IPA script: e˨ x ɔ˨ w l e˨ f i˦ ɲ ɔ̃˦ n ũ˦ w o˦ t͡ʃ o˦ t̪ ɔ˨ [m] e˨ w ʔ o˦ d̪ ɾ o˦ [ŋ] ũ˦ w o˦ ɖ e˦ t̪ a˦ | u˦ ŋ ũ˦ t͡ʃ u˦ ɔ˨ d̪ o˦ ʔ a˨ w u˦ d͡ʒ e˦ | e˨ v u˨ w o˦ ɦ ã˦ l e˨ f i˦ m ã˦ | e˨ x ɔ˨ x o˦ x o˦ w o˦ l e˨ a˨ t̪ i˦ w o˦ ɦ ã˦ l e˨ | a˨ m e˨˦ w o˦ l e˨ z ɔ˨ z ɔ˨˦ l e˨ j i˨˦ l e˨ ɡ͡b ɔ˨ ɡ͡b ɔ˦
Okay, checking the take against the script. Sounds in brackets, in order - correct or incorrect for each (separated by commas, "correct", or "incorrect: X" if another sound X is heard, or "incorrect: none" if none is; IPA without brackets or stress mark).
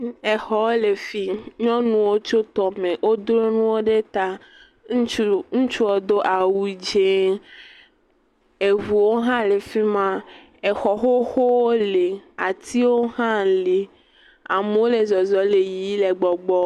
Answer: correct, incorrect: n